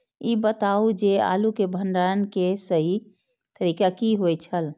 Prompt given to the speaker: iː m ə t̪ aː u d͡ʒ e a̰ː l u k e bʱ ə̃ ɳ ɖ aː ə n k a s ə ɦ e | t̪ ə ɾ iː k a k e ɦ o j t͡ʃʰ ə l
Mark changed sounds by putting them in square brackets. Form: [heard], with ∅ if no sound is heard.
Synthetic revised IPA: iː [b] ə t̪ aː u d͡ʒ e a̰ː l u k e bʱ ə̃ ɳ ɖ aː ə n k [e] s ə ɦ [i] | t̪ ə ɾ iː k a k [i] ɦ o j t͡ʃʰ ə l

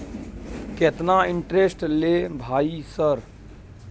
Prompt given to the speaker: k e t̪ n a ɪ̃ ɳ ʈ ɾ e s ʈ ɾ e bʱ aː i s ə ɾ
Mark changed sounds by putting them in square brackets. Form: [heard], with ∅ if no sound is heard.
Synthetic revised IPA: k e t̪ n a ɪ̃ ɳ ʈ ɾ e s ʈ [l] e bʱ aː i s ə ɾ

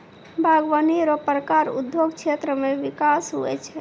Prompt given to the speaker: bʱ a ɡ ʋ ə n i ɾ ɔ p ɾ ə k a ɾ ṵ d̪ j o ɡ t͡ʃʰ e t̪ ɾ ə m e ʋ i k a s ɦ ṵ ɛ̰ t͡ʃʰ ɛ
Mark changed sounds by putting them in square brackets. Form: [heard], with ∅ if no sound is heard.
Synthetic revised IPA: bʱ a ɡ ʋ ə n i ɾ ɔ p ɾ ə k a ɾ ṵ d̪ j o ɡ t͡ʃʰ e t̪ ɾ ə m e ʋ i k a s ɦ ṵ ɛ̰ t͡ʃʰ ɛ

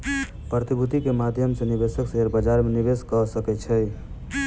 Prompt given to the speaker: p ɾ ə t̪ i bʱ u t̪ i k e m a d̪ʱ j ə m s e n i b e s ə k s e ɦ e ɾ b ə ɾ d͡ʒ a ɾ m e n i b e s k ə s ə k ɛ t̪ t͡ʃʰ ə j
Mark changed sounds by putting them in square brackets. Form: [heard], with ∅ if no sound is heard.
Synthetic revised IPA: p ɾ ə t̪ i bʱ u t̪ i k e m a d̪ʱ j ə m s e n i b e s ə k s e ɦ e ɾ b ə [∅] d͡ʒ a ɾ m e n i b e s k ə s ə k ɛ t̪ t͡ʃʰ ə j

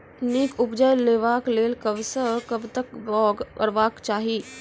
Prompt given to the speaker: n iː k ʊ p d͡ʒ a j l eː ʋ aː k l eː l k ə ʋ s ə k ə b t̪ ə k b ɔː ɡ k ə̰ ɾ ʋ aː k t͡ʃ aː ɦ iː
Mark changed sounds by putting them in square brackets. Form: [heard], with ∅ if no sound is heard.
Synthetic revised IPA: n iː k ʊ p d͡ʒ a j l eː ʋ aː k l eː l k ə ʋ s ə k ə b t̪ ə k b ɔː ɡ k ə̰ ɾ ʋ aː k t͡ʃ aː ɦ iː

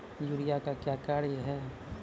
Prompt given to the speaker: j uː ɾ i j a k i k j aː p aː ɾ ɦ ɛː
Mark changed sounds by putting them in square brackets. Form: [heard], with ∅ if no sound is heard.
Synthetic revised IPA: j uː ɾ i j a k [a] k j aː [k] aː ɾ ɦ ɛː

